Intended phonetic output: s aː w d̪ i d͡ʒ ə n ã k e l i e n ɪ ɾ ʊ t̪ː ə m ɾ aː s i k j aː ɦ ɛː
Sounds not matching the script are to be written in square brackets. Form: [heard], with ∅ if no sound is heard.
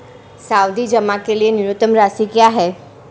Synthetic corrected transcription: s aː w d̪ i d͡ʒ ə [m] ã k e l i e n ɪ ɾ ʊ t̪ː ə m ɾ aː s i k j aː ɦ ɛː